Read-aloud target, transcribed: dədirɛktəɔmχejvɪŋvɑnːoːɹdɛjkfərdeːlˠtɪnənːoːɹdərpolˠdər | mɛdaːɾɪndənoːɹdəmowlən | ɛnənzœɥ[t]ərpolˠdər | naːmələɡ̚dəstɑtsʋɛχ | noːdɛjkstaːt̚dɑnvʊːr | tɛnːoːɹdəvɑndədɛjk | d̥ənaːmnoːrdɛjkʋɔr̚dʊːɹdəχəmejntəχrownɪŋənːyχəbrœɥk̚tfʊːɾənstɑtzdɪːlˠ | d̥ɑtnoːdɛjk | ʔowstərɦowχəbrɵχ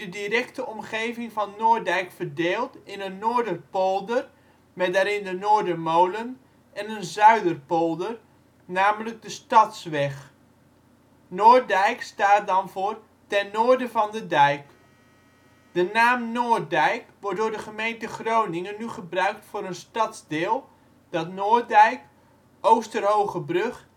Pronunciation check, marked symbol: incorrect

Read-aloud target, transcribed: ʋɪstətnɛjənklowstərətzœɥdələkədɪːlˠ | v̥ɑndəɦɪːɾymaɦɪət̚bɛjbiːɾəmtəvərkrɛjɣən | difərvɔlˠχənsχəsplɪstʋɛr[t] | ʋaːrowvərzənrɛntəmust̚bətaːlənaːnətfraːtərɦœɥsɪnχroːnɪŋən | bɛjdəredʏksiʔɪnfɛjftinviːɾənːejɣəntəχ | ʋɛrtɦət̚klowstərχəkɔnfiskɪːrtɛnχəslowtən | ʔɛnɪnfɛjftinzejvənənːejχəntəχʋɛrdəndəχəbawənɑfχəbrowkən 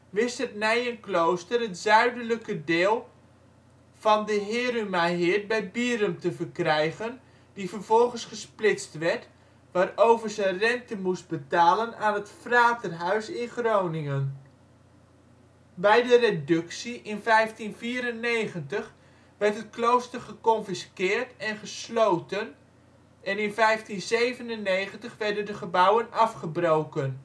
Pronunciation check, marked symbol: correct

